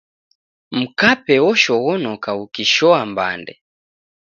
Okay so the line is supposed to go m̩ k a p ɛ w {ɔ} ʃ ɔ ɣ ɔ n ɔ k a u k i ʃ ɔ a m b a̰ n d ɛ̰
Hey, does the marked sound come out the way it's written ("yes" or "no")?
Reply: yes